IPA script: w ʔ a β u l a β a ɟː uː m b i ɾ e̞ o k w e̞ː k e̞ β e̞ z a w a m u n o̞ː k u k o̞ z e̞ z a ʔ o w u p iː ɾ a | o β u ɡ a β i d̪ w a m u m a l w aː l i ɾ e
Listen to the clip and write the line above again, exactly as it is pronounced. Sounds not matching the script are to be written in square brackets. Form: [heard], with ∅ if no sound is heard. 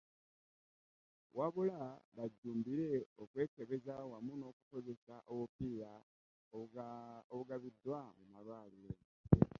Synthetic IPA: w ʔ a β u l a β a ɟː uː m b i ɾ e̞ o k w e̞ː k e̞ β e̞ z a w a m u n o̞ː k u k o̞ z e̞ [s] a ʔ o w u p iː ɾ a | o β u ɡ a β i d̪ w a m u m a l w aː l i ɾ e